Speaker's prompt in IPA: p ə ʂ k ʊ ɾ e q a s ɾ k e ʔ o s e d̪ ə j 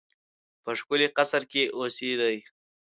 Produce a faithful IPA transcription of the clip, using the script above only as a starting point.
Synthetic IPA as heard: p ə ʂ k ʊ l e q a s ɾ k e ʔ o s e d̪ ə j